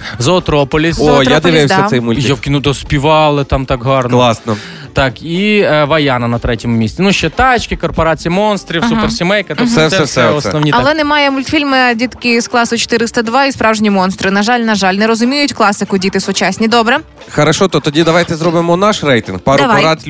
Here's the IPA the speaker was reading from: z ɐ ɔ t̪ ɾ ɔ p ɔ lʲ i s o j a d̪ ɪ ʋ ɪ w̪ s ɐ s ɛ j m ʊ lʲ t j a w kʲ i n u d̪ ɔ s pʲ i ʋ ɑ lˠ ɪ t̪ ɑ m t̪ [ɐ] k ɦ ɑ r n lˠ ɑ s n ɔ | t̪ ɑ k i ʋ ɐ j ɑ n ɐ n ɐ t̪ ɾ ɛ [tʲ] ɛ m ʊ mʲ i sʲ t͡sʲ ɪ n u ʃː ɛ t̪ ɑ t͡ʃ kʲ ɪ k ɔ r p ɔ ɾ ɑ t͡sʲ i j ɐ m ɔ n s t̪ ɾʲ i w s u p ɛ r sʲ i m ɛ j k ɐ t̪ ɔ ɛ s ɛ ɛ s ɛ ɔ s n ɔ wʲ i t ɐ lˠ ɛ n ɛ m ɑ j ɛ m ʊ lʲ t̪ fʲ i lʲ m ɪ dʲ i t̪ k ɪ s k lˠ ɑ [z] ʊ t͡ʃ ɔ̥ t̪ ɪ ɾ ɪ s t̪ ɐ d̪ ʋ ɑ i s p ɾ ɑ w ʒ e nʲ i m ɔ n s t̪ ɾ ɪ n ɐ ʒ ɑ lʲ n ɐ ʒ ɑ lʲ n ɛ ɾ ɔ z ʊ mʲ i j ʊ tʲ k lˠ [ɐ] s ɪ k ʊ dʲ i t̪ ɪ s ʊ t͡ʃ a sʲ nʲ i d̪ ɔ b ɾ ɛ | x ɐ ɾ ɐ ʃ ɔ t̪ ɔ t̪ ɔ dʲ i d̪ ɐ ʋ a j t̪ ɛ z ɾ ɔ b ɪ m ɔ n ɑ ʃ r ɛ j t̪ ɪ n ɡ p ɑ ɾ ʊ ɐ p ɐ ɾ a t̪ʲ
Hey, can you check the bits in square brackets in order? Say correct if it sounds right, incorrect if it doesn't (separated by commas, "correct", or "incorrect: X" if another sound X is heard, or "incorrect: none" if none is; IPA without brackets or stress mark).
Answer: incorrect: ɑ, correct, incorrect: s, incorrect: ɑ